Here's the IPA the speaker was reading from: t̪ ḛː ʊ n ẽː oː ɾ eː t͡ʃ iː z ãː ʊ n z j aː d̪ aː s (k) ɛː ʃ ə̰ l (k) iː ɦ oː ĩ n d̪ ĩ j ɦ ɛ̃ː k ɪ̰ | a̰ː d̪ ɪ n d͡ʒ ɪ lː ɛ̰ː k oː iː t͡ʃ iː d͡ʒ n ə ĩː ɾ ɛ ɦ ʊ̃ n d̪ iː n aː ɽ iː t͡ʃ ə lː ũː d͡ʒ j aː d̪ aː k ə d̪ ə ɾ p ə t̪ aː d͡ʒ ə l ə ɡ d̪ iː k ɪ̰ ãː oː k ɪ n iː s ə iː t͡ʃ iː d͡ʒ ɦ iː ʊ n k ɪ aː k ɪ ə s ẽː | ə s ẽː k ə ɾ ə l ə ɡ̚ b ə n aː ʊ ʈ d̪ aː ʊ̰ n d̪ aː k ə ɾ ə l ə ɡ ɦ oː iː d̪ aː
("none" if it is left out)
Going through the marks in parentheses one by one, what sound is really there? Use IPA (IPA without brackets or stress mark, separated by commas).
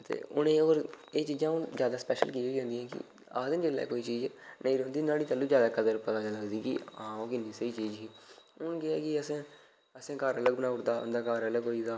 p, k